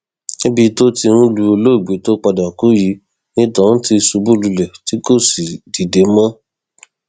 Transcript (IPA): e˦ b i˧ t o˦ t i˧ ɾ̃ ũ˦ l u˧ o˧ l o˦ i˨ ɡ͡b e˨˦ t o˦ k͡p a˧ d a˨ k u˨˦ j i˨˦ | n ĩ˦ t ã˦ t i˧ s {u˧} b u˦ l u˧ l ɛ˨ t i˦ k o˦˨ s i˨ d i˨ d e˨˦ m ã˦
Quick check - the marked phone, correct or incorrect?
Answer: correct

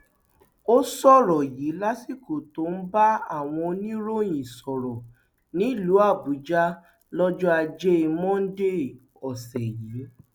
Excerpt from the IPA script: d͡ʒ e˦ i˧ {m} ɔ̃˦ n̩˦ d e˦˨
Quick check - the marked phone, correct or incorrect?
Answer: correct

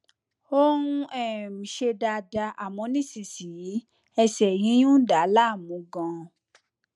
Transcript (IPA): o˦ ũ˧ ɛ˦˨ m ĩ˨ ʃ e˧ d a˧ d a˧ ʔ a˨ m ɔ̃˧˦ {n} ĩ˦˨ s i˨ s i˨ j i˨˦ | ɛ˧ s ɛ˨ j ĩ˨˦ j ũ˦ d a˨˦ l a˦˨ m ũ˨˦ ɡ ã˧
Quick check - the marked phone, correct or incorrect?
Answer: correct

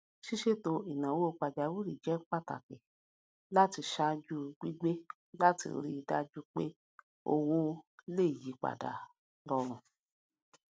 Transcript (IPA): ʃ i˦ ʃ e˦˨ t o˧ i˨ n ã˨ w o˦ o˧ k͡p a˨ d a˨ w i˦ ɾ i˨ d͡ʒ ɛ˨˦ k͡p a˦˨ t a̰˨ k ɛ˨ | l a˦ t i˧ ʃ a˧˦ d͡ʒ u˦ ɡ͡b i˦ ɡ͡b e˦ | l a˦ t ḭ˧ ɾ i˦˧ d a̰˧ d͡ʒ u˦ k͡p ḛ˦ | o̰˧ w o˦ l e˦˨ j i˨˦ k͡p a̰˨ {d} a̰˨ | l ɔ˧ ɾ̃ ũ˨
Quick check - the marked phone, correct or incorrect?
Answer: correct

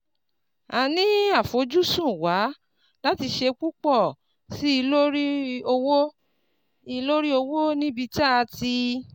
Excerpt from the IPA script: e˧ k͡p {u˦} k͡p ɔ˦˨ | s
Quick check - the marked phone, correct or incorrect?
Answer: correct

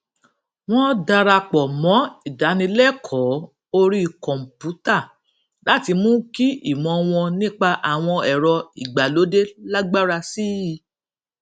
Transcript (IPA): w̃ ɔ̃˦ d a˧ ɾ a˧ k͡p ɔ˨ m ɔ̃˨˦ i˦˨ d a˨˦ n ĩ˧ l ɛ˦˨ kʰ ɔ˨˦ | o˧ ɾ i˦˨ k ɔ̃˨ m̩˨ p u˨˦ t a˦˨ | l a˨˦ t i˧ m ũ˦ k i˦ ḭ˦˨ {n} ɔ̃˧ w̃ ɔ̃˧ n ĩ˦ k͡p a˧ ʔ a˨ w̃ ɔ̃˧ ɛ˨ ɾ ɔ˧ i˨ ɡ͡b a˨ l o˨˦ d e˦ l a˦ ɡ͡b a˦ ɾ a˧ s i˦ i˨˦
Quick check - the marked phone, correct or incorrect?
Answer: incorrect: m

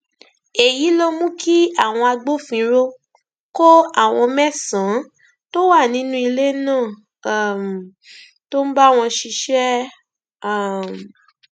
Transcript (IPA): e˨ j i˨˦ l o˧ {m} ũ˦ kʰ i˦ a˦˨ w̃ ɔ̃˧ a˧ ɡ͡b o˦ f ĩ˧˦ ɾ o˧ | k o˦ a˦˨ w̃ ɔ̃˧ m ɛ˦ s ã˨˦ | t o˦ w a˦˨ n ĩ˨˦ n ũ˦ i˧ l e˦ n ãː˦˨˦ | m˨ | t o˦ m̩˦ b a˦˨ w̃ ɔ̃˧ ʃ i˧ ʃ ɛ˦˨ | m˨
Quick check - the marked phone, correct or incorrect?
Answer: correct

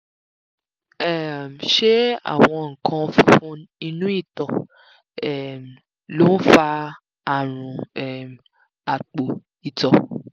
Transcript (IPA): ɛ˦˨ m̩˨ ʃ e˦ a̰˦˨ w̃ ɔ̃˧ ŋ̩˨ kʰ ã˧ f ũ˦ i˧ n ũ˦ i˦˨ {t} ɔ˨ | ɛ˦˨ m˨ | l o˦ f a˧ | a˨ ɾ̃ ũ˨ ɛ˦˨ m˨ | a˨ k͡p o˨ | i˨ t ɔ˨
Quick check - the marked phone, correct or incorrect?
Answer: correct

